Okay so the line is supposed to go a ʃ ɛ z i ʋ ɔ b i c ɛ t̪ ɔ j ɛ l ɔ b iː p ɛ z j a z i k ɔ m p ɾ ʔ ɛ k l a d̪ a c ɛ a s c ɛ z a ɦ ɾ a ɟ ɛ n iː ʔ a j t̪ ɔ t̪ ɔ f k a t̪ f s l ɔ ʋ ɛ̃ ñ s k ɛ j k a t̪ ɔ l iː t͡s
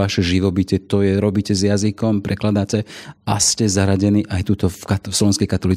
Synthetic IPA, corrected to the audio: a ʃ ɛ ʒ i ʋ ɔ b i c ɛ t̪ ɔ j ɛ ɾ ɔ b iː c ɛ z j a z i k ɔ m p ɾ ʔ ɛ k l a d̪ a c ɛ a s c ɛ z a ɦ ɾ a ɟ ɛ n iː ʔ a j t̪ u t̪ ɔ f k a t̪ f s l ɔ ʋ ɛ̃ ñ s k ɛ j k a t̪ ɔ l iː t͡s